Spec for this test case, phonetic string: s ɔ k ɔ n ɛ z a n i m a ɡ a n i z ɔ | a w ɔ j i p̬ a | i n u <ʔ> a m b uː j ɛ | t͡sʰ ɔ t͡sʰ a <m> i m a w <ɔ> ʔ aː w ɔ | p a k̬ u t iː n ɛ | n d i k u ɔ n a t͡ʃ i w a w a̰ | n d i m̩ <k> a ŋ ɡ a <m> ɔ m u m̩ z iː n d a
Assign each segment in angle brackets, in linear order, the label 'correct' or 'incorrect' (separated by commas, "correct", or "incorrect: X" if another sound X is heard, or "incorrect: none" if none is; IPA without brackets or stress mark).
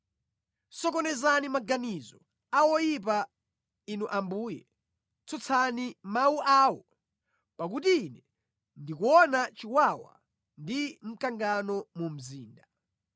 correct, incorrect: n, incorrect: u, correct, incorrect: n